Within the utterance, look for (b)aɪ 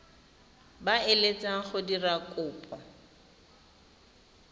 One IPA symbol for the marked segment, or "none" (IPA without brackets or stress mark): b